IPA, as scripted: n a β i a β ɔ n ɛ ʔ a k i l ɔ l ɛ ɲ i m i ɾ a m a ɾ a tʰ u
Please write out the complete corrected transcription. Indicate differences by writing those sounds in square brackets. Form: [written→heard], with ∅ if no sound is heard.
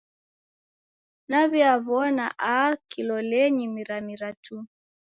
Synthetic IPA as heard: n a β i a β ɔ n [ɛ→a] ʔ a k i l ɔ l ɛ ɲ i m i ɾ a m [a→i] ɾ a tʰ u